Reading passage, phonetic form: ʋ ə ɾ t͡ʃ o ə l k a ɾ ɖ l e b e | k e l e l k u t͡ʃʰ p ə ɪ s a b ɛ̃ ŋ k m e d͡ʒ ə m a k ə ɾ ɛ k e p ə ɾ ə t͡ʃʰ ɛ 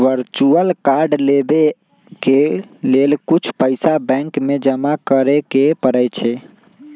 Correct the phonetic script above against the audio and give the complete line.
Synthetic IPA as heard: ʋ ə ɾ t͡ʃ u ə l k a ɾ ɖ l e b e | k e l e l k u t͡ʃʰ p ə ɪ s a b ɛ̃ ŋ k m e d͡ʒ ə m a k ə ɾ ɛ k e p ə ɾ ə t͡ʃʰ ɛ

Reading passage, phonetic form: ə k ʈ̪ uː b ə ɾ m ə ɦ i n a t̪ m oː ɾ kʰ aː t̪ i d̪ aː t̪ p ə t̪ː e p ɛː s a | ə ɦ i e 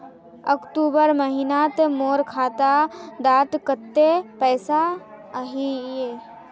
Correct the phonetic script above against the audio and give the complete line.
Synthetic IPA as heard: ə k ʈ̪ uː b ə ɾ m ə ɦ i n a t̪ m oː ɾ kʰ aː t̪ a d̪ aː t̪ k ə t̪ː e p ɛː s a | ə ɦ i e

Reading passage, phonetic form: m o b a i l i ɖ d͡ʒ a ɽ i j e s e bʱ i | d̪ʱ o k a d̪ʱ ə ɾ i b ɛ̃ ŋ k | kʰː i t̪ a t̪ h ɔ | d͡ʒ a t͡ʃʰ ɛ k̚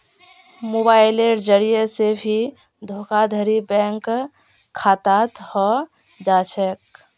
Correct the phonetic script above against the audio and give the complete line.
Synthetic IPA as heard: m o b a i l e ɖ d͡ʒ ə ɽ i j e s e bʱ i | d̪ʱ o k a d̪ʱ ə ɾ i b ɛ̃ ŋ k | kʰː a t̪ a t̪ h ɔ | d͡ʒ a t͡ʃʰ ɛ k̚

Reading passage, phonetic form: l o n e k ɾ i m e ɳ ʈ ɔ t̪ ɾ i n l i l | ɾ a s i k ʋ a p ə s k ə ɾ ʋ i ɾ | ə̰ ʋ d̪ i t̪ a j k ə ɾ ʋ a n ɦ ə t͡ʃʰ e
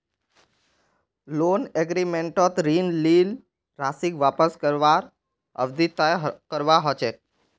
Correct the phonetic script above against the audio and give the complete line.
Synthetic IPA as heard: l o n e ɡ ɾ i m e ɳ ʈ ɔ t̪ ɾ i n l i l | ɾ a s i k ʋ a p ə s k ə ɾ ʋ a ɾ | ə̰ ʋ d̪ i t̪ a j k ə ɾ ʋ a ɦ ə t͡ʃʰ e

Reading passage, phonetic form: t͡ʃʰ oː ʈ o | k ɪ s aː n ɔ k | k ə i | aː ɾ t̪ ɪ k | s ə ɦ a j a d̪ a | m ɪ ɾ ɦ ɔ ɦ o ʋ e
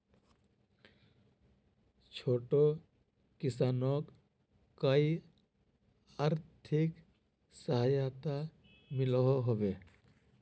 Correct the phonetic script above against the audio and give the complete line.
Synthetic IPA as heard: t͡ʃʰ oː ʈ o | k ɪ s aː n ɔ k | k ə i | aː ɾ t̪ʰ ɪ k | s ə ɦ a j a t̪ a | m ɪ l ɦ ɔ ɦ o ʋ e

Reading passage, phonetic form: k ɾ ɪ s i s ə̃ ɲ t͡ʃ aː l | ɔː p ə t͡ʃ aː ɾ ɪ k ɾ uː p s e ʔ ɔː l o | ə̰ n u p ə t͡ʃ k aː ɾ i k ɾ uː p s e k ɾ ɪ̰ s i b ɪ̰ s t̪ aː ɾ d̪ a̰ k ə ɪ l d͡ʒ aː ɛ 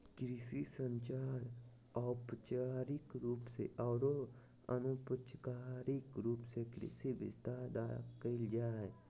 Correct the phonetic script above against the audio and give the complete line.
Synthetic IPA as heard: k ɾ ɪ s i s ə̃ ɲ t͡ʃ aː ɾ | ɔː p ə t͡ʃ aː ɾ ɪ k ɾ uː p s e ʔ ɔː ɾ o | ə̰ n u p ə t͡ʃ k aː ɾ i k ɾ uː p s e k ɾ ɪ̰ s i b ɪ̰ s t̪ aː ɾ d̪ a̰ k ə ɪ l d͡ʒ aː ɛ

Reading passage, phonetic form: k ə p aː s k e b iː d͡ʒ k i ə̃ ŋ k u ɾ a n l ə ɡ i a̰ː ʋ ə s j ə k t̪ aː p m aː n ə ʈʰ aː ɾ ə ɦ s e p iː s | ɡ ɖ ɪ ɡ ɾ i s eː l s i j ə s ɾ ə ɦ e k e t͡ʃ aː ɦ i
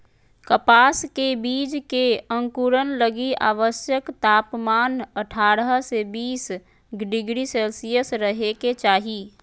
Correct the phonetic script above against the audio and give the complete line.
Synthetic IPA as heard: k ə p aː s k e b iː d͡ʒ k e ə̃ ŋ k u ɾ ə n l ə ɡ i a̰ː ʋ ə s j ə k t̪ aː p m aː n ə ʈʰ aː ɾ ə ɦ s e b iː s | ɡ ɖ ɪ ɡ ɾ i s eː l s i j ə s ɾ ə ɦ e k e t͡ʃ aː ɦ i

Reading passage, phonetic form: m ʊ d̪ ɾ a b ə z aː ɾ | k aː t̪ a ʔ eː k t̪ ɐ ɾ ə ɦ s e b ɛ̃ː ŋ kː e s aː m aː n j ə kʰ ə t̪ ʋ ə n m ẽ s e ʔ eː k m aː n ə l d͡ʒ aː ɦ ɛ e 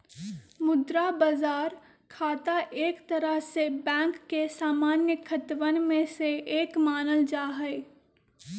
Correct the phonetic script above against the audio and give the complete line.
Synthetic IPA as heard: m ʊ d̪ ɾ a b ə z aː ɾ | kʰ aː t̪ a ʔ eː k t̪ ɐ ɾ ə ɦ s e b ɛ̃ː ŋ kː e s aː m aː n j ə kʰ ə t̪ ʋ ə n m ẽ s e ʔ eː k m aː n ə l d͡ʒ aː ɦ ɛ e

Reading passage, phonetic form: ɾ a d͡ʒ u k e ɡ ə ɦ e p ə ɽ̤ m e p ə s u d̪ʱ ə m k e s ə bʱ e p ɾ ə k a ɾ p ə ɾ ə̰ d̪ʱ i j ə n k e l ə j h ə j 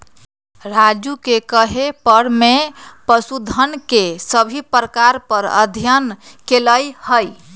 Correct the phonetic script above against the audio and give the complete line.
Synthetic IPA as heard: ɾ a d͡ʒ u k e k ə ɦ e p ə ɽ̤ m e p ə s u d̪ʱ ə n k e s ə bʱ i p ɾ ə k a ɾ p ə ɾ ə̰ d̪ʱ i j ə n k e l ə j h ə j

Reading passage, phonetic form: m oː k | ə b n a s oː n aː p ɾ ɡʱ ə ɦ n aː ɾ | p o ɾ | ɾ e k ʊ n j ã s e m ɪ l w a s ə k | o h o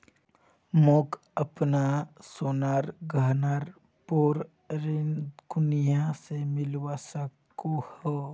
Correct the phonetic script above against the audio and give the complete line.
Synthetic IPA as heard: m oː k | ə p n a s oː n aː ɾ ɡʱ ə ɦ n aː ɾ | p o ɾ | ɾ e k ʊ n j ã s e m ɪ l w a s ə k | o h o

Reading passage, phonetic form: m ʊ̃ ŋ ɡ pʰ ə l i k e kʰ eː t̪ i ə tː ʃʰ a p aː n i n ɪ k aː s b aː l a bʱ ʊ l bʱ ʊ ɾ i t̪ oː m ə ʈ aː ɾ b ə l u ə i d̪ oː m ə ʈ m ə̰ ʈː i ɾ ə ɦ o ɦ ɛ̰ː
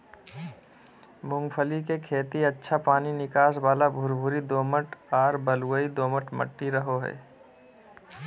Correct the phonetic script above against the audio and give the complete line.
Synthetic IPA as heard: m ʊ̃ ŋ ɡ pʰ ə l i k e kʰ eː t̪ i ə tː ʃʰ a p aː n i n ɪ k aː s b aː l a bʱ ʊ ɾ bʱ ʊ ɾ i d̪ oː m ə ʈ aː ɾ b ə l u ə i d̪ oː m ə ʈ m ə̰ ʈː i ɾ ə ɦ o ɦ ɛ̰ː

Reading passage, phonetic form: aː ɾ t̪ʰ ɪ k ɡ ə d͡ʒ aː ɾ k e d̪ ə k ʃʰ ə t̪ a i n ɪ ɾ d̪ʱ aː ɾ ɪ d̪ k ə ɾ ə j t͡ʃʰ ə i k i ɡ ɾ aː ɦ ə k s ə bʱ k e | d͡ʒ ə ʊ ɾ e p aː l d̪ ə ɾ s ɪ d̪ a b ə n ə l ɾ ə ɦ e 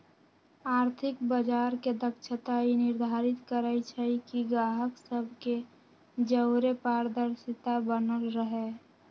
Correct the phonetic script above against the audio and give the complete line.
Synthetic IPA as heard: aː ɾ t̪ʰ ɪ k b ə d͡ʒ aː ɾ k e d̪ ə k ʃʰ ə t̪ a i n ɪ ɾ d̪ʱ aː ɾ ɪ t̪ k ə ɾ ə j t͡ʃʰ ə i k i ɡ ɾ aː ɦ ə k s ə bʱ k e | d͡ʒ ə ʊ ɾ e p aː ɾ d̪ ə ɾ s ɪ t̪ a b ə n ə l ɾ ə ɦ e

